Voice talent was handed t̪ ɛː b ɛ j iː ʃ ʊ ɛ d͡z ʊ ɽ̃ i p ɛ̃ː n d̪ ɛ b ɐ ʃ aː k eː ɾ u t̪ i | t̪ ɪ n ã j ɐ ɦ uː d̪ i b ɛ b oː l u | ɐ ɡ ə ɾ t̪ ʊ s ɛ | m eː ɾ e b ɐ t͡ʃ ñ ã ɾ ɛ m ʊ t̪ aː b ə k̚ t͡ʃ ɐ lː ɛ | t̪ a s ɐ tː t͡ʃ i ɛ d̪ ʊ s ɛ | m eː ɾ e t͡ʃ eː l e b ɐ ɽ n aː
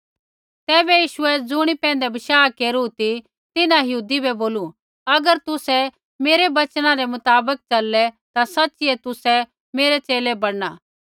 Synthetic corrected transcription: t̪ ɛː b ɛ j iː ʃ ʊ ɛ d͡z ʊ ɽ̃ i p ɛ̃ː n d̪ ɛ b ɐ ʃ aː k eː ɾ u t̪ i | t̪ ɪ n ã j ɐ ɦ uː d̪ i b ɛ b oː l u | ɐ ɡ ə ɾ t̪ ʊ s ɛ | m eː ɾ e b ɐ t͡ʃ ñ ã ɾ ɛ m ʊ t̪ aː b ə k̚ t͡ʃ ɐ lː ɛ | t̪ a s ɐ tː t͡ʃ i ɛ t̪ ʊ s ɛ | m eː ɾ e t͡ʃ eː l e b ɐ ɽ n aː

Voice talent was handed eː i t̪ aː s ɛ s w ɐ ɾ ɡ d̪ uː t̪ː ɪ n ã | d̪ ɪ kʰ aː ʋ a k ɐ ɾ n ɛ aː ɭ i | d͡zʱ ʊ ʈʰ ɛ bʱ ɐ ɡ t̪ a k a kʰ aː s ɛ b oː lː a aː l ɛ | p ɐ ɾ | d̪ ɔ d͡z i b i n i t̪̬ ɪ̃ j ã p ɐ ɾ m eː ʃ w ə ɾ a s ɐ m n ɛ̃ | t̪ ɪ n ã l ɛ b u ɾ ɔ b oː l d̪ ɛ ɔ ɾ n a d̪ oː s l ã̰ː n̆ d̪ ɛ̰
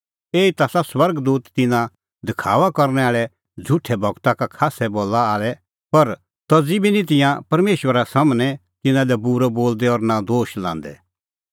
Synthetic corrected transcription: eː i t̪ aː s a s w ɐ ɾ ɡ d̪ uː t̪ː ɪ n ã | d̪ ɪ kʰ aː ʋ a k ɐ ɾ n ɛ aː ɭ ɛ | d͡zʱ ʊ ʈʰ ɛ bʱ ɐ ɡ t̪ a k a kʰ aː s ɛ b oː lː a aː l ɛ | p ɐ ɾ | t̪ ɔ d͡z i b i n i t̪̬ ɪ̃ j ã p ɐ ɾ m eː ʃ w ə ɾ a s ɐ m n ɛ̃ | t̪ ɪ n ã l ɛ b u ɾ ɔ b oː l d̪ ɛ ɔ ɾ n a d̪ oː ʃ l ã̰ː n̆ d̪ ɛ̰

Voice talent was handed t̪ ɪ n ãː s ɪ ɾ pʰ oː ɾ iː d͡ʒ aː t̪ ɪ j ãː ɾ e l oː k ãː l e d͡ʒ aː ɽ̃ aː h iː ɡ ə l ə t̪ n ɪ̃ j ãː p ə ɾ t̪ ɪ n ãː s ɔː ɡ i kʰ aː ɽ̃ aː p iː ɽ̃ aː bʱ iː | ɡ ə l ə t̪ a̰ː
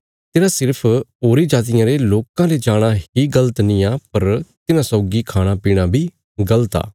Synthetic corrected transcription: t̪ ɪ n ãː s ɪ ɾ pʰ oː ɾ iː d͡ʒ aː t̪ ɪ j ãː ɾ e l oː k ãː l e d͡ʒ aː ɽ̃ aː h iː ɡ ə l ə t̪ n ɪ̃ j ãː p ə ɾ t̪ ɪ n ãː s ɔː ɡ i kʰ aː ɽ̃ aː p iː ɽ̃ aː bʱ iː | ɡ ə l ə t̪ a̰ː

